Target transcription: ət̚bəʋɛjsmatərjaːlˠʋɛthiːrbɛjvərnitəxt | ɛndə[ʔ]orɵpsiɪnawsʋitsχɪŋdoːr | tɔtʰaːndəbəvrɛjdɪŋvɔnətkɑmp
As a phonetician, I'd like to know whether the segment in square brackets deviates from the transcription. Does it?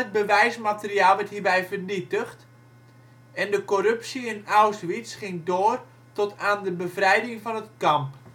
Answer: yes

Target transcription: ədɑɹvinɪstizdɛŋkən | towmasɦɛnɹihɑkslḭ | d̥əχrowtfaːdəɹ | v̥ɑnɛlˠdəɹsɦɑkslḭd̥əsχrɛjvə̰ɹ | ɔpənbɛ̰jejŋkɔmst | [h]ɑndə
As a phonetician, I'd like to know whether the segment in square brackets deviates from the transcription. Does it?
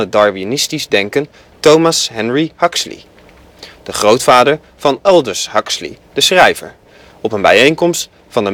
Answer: yes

